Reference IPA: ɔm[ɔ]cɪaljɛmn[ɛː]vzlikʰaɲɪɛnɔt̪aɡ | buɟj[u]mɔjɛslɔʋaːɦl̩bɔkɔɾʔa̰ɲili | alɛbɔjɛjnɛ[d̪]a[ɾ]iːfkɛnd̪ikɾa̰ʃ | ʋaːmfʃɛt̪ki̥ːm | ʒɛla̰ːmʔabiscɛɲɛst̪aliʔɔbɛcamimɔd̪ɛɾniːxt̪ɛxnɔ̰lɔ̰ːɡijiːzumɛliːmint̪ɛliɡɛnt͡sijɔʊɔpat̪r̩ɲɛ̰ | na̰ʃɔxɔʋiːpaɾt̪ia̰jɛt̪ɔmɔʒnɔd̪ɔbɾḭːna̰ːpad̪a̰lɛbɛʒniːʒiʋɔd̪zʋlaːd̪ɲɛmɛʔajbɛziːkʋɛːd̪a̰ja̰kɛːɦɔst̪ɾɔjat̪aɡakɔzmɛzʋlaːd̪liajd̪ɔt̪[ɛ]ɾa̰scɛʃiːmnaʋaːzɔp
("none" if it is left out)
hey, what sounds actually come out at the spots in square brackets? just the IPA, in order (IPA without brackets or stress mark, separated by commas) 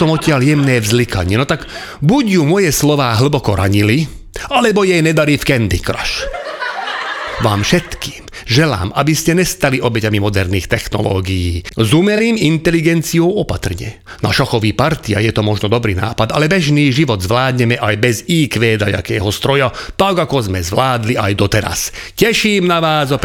ɔ, ɛː, u, d̪, ɾ, ɛ